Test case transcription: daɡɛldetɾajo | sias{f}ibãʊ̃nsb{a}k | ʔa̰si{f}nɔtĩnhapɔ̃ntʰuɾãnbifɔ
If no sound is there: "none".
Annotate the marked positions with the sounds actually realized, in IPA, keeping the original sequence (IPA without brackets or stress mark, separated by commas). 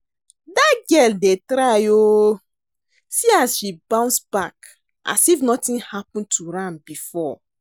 ʃ, a, f